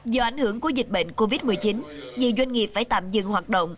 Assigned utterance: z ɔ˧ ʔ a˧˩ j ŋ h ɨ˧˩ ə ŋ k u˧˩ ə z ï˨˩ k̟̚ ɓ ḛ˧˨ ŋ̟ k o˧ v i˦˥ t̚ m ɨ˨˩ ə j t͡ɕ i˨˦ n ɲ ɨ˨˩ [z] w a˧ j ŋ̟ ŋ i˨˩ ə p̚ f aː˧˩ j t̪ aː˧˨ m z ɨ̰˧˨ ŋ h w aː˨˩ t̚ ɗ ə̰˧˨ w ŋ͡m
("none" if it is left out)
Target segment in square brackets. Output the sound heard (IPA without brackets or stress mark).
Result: z